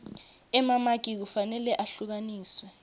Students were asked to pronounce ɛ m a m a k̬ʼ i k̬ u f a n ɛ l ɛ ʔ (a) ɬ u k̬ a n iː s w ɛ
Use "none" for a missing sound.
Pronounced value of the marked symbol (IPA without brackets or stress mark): a